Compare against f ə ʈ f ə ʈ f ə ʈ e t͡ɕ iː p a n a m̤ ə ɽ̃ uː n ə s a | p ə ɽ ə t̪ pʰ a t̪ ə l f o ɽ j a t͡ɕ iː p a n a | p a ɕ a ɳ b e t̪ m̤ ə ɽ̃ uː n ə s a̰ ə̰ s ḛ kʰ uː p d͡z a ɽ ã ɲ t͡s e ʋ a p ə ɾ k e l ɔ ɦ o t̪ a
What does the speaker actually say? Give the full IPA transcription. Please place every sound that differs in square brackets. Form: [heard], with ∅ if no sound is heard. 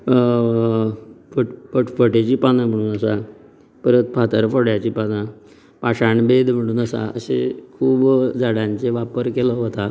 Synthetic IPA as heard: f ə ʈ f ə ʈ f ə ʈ e t͡ɕ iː p a n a m̤ ə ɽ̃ uː n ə s a | p ə [ɾ] ə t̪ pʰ a t̪ ə [ɾ] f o ɽ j a t͡ɕ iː p a n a | p a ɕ a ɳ b e [d̪] m̤ ə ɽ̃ uː n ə s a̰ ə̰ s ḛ kʰ uː [b] d͡z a ɽ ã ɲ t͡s e ʋ a p ə ɾ k e l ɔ ɦ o t̪ a